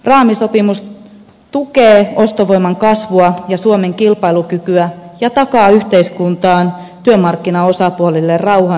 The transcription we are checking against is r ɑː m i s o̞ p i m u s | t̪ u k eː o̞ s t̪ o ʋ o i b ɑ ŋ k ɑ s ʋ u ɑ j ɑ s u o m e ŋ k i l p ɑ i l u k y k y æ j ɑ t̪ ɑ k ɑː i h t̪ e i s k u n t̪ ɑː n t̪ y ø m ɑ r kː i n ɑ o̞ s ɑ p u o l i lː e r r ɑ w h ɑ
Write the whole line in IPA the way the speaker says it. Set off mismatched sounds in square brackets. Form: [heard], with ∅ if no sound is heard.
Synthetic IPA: r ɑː m i s o̞ p i m u s | t̪ u k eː o̞ s t̪ o ʋ o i [m] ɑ ŋ k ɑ s ʋ u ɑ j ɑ s u o m e ŋ k i l p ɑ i l u k y k y æ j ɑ t̪ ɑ k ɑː [y] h t̪ e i s k u n t̪ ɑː n t̪ y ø m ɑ r kː i n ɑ o̞ s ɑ p u o l i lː e r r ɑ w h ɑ